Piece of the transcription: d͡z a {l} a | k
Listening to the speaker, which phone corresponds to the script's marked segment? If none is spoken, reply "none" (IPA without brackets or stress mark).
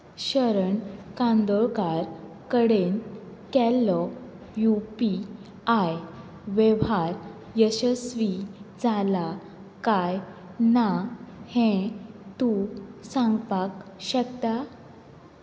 l